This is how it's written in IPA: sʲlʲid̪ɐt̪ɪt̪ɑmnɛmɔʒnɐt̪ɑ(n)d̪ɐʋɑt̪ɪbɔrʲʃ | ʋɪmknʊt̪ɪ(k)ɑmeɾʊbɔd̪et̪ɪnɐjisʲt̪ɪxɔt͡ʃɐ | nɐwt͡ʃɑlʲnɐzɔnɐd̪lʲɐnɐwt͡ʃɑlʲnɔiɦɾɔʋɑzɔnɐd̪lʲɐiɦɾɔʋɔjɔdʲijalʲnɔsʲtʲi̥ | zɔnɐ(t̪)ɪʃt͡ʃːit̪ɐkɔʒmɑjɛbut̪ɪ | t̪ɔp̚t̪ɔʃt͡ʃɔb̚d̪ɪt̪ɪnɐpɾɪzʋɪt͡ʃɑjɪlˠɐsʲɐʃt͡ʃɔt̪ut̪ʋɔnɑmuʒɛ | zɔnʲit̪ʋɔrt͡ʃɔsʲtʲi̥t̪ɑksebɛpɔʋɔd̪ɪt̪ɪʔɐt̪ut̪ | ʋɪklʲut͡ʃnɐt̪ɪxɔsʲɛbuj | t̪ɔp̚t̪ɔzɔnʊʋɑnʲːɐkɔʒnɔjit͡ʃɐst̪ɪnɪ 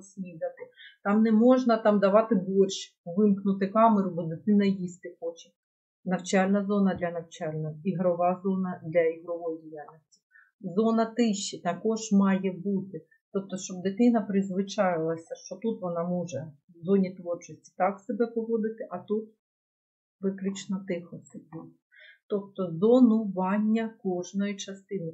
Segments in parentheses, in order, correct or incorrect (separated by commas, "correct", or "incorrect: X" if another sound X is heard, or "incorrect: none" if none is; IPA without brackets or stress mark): incorrect: m, correct, correct